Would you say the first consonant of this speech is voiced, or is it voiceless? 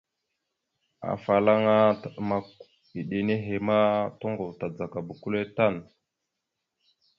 voiceless